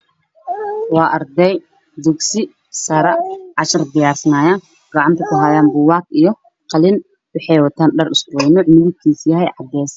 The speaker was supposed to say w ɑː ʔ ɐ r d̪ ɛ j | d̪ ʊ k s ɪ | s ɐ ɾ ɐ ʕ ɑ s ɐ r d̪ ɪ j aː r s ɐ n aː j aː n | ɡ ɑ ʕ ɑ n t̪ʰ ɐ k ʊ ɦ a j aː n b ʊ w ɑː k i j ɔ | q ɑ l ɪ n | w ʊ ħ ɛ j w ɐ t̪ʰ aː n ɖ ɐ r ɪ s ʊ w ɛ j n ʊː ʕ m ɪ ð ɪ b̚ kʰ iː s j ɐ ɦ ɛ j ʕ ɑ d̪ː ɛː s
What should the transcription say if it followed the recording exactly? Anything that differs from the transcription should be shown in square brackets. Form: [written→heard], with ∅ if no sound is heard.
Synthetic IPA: w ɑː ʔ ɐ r d̪ ɛ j | d̪ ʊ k s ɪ | s ɐ ɾ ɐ ʕ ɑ [s→ʃ] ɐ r d̪ ɪ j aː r s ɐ n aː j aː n | ɡ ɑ ʕ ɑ n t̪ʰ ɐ k ʊ ɦ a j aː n b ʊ w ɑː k i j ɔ | q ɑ l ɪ n | w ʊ ħ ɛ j w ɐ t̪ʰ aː n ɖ ɐ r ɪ s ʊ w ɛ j n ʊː ʕ m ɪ ð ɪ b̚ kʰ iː s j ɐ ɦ ɛ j ʕ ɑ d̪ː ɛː s